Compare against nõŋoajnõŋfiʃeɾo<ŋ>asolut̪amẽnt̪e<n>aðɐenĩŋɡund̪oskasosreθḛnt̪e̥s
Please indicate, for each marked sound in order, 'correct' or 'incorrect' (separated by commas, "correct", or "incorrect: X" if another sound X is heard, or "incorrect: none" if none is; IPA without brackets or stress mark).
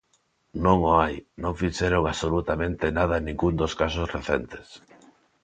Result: correct, correct